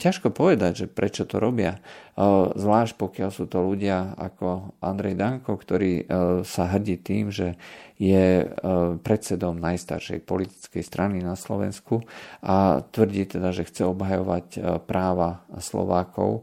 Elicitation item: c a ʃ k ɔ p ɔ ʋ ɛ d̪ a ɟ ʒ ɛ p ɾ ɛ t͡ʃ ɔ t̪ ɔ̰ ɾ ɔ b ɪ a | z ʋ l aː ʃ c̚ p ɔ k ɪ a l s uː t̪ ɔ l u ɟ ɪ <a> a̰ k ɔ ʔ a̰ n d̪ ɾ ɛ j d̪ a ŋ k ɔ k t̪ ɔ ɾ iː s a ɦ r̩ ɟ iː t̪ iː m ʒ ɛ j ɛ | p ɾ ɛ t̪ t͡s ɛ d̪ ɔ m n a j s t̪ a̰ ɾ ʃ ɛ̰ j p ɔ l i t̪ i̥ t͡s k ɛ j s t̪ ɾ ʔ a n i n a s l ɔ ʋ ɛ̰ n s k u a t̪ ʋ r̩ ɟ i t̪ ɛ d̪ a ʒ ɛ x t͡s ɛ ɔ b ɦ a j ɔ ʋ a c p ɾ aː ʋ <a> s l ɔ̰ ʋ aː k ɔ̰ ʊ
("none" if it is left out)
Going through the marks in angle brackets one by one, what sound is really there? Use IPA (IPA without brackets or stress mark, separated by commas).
a, a